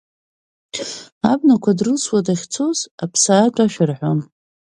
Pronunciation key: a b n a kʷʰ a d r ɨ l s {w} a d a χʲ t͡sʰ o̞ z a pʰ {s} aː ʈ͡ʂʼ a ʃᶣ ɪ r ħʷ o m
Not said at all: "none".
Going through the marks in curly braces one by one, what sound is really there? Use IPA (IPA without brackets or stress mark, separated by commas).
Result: w, s